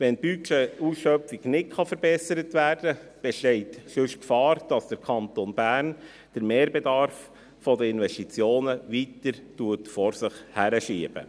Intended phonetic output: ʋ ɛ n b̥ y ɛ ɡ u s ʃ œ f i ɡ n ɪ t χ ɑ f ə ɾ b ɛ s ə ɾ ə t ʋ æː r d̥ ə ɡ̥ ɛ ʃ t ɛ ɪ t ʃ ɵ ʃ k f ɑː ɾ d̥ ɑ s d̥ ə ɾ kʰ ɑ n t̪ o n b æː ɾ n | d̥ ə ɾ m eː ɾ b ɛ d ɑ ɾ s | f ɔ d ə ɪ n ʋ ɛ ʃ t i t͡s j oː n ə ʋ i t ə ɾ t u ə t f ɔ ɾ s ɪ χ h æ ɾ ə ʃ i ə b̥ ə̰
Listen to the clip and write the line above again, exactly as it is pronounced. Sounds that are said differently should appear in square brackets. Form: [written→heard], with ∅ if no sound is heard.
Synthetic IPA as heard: ʋ ɛ n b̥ y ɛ [ɡ→∅] u s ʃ œ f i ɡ n ɪ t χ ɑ f ə ɾ b ɛ s ə ɾ ə t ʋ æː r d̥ ə [ɡ̥→b̥] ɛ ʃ t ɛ ɪ t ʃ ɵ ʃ k f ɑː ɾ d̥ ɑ s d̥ ə ɾ kʰ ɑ n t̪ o n b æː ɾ n | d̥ ə ɾ m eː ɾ b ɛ d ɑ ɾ [s→f] | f ɔ d ə ɪ n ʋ ɛ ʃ t i t͡s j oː n ə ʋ i t ə ɾ t u ə t f ɔ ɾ s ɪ χ h æ ɾ ə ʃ i ə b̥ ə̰

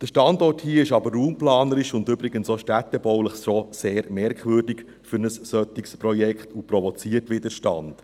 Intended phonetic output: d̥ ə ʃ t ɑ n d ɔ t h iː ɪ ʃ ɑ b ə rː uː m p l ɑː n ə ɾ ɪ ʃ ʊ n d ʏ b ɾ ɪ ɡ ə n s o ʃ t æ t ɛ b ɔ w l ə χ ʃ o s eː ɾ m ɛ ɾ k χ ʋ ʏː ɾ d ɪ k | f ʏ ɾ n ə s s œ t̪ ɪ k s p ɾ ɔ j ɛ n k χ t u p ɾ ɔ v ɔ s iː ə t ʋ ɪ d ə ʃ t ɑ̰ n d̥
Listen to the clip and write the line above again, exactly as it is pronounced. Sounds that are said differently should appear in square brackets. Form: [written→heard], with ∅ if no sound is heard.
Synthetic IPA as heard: d̥ ə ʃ t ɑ n d ɔ t h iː ɪ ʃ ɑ b ə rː uː m p l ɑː n ə ɾ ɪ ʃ ʊ n d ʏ b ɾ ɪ ɡ ə n s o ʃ t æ t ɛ b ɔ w l ə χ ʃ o s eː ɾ m ɛ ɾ k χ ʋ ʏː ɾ d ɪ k | f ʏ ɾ n ə s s œ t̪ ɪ k s p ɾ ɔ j ɛ [n→∅] k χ t u p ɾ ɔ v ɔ [s→t͡s] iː ə t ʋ ɪ d ə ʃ t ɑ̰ n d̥

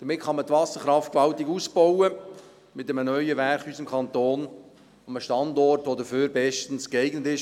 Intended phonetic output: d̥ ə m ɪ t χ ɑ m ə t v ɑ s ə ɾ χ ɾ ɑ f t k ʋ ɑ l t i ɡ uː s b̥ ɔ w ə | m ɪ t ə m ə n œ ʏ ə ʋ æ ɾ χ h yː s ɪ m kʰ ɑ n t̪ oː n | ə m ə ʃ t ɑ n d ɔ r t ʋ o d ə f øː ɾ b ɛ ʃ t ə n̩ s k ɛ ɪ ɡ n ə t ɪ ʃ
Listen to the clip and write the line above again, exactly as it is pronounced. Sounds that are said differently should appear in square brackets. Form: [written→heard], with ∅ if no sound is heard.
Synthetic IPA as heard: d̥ ə m ɪ t χ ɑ m ə t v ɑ s ə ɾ χ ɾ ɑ f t k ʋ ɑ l t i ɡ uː s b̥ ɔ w ə | m ɪ t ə m ə n œ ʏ ə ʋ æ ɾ χ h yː s ɪ m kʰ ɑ n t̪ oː n | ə m ə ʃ t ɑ n d ɔ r t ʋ o d ə f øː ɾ b ɛ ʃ t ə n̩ s k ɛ ɪ ɡ n ə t ɪ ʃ

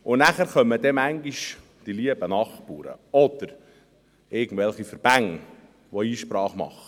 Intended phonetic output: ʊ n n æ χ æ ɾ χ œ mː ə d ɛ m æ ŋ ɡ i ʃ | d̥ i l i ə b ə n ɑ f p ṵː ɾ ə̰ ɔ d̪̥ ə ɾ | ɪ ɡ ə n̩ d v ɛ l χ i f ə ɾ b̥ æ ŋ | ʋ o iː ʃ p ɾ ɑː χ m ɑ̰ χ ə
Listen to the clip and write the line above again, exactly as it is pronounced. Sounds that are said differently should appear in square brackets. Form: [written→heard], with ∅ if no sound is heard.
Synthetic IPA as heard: ʊ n n æ χ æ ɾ χ œ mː ə d ɛ m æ ŋ ɡ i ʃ | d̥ i l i ə b ə n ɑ [f→χ] p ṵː ɾ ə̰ ɔ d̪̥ ə ɾ | ɪ ɡ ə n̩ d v ɛ l χ i f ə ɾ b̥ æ ŋ | ʋ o iː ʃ p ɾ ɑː χ m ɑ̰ χ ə

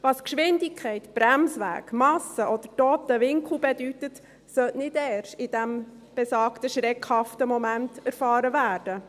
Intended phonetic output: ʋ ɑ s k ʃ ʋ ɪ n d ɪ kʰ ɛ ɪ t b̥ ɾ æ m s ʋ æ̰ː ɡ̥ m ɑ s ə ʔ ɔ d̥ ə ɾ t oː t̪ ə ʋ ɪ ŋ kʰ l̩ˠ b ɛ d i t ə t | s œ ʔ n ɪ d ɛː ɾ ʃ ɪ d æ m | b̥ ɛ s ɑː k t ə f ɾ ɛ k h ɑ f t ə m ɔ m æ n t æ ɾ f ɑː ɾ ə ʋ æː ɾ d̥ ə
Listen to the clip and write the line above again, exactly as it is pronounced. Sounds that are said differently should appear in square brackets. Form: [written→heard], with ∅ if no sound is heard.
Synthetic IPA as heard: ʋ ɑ s k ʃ ʋ ɪ n d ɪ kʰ ɛ ɪ t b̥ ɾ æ m s ʋ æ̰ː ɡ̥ m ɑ s ə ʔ ɔ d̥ ə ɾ t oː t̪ ə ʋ ɪ ŋ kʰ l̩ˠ b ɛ d [i→y] t ə t | s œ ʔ n ɪ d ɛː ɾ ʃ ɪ d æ m | b̥ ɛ s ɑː k t ə [f→ʃ] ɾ ɛ k h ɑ f t ə m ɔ m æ n t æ ɾ f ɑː ɾ ə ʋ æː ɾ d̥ ə

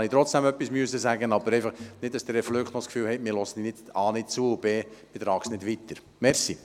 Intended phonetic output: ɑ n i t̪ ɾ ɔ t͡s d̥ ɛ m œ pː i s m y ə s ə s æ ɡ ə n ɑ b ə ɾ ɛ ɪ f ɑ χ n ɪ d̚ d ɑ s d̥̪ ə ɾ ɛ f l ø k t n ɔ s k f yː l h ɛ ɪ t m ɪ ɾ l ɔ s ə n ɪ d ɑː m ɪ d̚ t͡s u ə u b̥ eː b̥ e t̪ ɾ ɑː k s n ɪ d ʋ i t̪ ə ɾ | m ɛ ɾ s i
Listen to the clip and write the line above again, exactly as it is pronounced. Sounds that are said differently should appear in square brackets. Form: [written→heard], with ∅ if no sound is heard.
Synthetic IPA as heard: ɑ n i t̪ ɾ ɔ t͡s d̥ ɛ m œ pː i s m y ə s ə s æ ɡ ə n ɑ b ə ɾ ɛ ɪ f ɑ χ n ɪ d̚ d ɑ s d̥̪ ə ɾ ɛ f l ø k t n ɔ s k f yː l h ɛ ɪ t m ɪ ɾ l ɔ s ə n ɪ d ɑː [m→n] ɪ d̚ t͡s u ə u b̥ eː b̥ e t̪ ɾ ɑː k s n ɪ d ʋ i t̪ ə ɾ | m ɛ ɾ s i

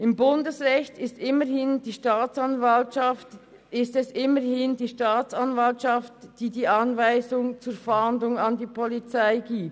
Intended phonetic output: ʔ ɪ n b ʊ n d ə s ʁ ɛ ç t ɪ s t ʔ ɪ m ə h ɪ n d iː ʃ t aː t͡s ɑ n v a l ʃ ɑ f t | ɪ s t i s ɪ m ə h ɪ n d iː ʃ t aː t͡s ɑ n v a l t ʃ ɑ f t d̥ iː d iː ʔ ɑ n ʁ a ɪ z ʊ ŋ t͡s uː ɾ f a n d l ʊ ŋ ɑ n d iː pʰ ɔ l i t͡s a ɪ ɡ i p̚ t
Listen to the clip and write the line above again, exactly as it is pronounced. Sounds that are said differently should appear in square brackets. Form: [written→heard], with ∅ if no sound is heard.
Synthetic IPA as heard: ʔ ɪ [n→m] b ʊ n d ə s ʁ ɛ ç t ɪ s t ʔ ɪ m ə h ɪ n d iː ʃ t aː t͡s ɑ n v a l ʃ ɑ f t | ɪ s t [i→ɛ] s ɪ m ə h ɪ n d iː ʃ t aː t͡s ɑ n v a l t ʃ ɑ f t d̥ iː d iː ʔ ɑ n [ʁ→v] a ɪ z ʊ ŋ t͡s uː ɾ f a n d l ʊ ŋ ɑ n d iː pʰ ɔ l i t͡s a ɪ ɡ [i→iː] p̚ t

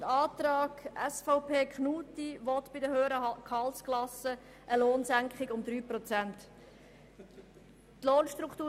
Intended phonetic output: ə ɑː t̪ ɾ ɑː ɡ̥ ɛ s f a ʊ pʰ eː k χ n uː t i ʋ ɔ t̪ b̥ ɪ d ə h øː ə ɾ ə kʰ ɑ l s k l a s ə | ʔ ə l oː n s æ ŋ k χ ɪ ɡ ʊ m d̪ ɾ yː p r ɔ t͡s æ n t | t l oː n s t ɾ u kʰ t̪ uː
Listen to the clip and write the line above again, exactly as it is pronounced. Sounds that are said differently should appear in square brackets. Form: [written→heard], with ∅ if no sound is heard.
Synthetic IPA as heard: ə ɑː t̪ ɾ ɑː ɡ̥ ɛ s f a ʊ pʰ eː k χ n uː t i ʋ ɔ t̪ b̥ ɪ d ə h øː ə ɾ ə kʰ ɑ l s k l [a→ɑ] s ə | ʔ ə l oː n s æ ŋ k χ ɪ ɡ ʊ m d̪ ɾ yː p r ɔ t͡s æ n t | t l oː n [s→ʃ] t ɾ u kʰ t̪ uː

